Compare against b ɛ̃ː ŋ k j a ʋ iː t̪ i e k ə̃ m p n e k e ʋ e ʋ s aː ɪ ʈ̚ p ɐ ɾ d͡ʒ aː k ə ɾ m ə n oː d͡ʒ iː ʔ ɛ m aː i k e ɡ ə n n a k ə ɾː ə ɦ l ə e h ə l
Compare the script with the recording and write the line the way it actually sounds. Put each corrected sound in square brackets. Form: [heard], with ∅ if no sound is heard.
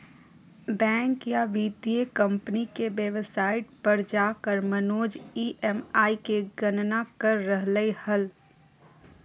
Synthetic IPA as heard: b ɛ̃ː ŋ k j a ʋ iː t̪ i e k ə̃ m p n [i] k e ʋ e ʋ s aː ɪ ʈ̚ p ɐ ɾ d͡ʒ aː k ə ɾ m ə n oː d͡ʒ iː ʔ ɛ m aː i k e ɡ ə n n a k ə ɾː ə ɦ l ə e h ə l